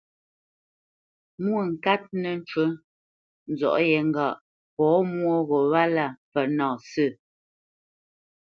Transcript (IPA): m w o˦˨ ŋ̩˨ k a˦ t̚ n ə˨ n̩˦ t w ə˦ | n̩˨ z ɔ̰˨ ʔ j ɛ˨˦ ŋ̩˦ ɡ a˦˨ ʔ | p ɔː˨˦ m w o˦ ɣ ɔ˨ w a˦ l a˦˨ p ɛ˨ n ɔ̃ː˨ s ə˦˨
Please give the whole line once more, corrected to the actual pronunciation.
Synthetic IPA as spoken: m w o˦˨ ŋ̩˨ k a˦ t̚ n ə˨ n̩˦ t͡ʃ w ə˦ | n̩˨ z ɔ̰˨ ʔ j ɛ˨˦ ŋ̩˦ ɡ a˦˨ ʔ | p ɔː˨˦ m w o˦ ɣ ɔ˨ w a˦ l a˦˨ p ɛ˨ n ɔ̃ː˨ s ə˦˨